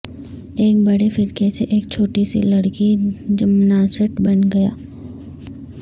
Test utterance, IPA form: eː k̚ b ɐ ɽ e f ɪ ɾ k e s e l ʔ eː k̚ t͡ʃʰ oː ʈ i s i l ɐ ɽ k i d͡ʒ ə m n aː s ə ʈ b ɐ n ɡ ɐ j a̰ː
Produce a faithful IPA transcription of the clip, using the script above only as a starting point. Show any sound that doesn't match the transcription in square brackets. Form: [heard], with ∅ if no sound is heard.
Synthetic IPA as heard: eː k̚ b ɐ ɽ e f ɪ ɾ k e s e [∅] ʔ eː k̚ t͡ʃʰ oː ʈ i s i l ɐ ɽ k i d͡ʒ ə m n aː s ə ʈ b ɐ n ɡ ɐ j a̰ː